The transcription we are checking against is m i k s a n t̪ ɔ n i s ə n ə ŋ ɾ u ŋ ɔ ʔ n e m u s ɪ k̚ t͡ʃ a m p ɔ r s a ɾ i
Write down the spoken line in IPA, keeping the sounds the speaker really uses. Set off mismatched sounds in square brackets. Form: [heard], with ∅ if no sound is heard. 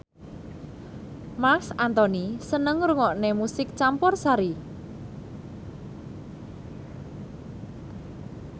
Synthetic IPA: m [a] k s a n t̪ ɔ n i s ə n ə ŋ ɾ u ŋ ɔ ʔ n e m u s ɪ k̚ t͡ʃ a m p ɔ r s a ɾ i